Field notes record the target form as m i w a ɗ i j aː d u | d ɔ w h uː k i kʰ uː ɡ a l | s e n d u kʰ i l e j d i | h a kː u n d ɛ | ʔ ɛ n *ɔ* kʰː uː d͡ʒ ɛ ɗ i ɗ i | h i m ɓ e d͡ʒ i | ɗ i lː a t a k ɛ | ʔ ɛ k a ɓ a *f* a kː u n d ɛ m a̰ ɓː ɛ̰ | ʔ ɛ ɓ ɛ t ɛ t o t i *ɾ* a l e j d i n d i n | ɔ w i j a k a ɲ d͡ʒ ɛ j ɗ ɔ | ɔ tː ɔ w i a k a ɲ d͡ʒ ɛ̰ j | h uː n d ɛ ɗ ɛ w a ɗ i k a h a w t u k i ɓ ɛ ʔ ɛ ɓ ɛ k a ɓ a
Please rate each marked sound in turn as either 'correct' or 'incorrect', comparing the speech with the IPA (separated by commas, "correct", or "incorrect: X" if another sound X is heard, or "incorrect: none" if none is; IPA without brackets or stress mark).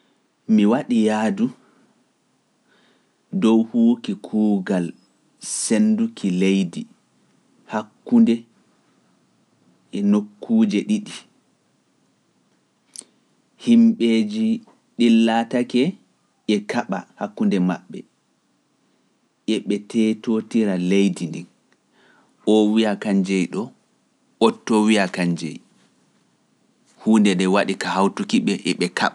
incorrect: o, incorrect: h, correct